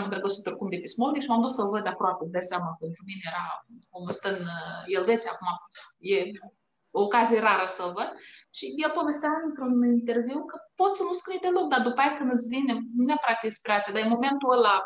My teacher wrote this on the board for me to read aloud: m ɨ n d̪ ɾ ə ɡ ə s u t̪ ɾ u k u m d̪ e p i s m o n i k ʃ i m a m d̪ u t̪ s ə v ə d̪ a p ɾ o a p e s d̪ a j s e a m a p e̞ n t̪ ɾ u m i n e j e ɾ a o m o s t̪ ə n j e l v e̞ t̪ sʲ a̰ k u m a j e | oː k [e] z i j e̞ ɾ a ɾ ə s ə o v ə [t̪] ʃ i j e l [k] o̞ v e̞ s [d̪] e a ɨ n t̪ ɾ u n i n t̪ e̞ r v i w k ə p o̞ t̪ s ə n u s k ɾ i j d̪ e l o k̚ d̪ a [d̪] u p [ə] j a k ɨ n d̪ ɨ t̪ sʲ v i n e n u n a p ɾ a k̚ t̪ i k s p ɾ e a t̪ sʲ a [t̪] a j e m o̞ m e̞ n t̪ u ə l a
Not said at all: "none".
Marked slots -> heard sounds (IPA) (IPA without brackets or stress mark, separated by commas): a, d̪, p, t̪, d̪, a, d̪